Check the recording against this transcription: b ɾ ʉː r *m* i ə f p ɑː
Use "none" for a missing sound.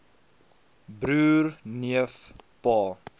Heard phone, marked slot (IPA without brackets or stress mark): n